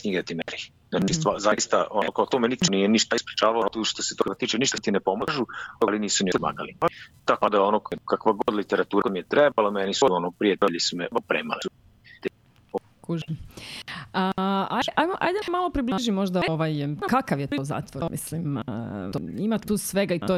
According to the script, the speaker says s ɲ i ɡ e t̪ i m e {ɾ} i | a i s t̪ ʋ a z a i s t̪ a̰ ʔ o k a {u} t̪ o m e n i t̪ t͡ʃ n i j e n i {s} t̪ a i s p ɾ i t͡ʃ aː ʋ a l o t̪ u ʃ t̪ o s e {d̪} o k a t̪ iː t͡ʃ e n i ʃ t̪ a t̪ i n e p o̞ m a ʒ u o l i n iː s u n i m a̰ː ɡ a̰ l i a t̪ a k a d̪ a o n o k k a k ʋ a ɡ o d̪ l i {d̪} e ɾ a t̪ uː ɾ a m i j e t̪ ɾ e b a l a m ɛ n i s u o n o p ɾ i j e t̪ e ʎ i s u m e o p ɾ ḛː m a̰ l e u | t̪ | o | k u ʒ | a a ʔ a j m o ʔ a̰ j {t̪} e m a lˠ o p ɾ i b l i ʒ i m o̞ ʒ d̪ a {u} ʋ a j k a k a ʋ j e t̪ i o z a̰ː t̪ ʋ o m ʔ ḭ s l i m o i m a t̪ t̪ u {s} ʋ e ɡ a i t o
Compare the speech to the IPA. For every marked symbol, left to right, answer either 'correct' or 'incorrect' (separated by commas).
correct, incorrect, incorrect, incorrect, incorrect, incorrect, incorrect, correct